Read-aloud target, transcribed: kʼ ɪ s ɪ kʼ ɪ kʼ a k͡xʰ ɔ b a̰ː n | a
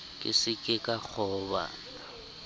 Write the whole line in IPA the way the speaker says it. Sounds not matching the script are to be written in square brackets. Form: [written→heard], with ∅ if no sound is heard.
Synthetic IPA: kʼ ɪ s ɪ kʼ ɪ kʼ a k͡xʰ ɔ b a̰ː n | a

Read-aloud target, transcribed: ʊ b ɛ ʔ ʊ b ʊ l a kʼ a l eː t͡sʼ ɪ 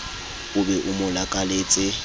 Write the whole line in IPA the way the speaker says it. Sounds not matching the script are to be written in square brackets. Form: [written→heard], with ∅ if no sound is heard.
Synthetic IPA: ʊ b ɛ ʔ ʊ [b→m] ʊ l a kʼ a l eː t͡sʼ ɪ

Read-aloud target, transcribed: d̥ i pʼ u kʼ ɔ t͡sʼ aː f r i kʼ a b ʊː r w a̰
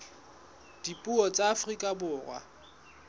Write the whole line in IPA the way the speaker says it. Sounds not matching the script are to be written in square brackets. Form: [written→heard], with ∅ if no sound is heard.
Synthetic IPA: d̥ i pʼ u [kʼ→∅] ɔ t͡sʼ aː f r i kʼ a b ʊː r w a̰

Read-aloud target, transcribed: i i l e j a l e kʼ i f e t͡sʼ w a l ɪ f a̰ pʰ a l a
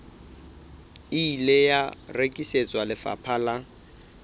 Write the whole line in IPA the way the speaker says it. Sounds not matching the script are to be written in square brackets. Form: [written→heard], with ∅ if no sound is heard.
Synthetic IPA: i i l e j a [l→r] e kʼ i [f→s] e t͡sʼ w a l ɪ f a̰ pʰ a l a

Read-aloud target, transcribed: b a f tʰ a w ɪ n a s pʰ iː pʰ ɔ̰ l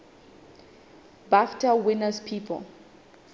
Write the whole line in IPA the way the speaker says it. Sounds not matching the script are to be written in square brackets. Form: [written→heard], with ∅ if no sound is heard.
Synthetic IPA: b a f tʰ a w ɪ n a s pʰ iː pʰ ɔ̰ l

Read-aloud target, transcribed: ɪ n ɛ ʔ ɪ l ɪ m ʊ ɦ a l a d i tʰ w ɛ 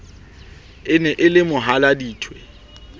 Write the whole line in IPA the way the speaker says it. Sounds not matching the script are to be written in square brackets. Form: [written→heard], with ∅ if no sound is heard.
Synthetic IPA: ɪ n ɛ ʔ ɪ l ɪ m ʊ ɦ a l a d [i→iː] tʰ w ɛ

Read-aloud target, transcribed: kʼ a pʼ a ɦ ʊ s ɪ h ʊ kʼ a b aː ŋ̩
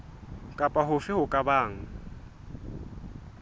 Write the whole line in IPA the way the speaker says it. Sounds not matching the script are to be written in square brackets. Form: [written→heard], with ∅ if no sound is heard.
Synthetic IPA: kʼ a pʼ a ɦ ʊ [s→f] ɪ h ʊ kʼ a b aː ŋ̩

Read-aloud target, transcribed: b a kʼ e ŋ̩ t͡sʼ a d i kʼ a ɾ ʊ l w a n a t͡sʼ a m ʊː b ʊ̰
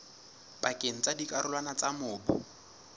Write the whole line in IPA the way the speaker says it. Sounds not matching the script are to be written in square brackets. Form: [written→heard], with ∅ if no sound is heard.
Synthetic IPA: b a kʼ e ŋ̩ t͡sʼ a d i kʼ a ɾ ʊ l w a n a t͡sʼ a m ʊː b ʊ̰

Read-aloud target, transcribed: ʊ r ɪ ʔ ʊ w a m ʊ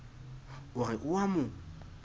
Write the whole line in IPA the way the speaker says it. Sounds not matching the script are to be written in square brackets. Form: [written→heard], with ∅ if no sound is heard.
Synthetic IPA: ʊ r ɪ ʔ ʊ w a m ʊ

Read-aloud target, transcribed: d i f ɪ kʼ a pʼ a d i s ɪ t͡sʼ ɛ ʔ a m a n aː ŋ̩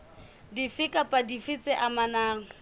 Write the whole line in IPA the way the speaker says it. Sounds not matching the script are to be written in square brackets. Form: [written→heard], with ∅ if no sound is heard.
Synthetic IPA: d i f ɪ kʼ a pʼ a d i [s→f] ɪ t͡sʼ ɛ ʔ a m a n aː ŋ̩

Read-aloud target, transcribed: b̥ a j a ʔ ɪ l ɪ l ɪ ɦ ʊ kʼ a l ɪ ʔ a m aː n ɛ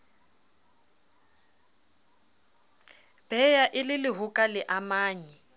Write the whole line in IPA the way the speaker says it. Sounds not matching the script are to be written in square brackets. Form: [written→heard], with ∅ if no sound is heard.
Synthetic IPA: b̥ [a→ɛ] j a ʔ ɪ l ɪ l ɪ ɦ ʊ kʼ a l ɪ ʔ a m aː [n→ɲ] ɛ

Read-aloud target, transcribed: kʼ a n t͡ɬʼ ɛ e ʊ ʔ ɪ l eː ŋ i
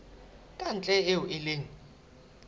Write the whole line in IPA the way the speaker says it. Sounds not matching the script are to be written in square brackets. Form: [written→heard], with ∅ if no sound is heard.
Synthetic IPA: kʼ a n t͡ɬʼ ɛ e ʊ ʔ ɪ l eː ŋ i

